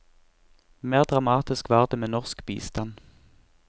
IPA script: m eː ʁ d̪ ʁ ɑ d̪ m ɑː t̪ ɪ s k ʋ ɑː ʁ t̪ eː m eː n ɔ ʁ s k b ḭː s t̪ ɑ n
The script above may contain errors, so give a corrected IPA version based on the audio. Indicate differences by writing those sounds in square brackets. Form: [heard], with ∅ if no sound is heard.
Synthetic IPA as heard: m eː ʁ d̪ ʁ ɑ [∅] m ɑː t̪ ɪ s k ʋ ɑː ʁ [d̪] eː m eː n ɔ ʁ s k b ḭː s t̪ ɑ n